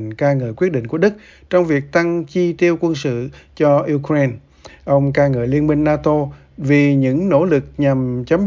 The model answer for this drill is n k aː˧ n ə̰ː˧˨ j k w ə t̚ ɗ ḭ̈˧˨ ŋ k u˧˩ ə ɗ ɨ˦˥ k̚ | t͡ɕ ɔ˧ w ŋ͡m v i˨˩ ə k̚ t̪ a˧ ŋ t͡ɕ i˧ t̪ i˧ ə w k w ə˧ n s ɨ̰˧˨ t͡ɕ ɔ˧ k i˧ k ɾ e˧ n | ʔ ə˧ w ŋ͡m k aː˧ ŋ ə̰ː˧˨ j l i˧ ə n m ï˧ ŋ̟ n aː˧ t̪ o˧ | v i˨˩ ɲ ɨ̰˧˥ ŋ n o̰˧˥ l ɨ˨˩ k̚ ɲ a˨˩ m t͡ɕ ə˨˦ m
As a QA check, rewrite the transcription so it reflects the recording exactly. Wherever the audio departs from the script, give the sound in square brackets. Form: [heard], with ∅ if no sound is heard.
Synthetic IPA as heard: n k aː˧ [ŋ] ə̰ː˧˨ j k w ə t̚ ɗ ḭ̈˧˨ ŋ k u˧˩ ə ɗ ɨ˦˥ k̚ | t͡ɕ ɔ˧ w ŋ͡m v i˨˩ ə k̚ t̪ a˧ ŋ t͡ɕ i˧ t̪ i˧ ə w k w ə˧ n s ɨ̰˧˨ t͡ɕ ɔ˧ [ʔ] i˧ k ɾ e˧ n | ʔ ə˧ w ŋ͡m k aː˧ ŋ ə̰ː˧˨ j l i˧ ə n m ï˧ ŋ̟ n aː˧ t̪ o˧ | v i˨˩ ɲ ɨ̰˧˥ ŋ n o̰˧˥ l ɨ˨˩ k̚ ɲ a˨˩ m t͡ɕ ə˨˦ m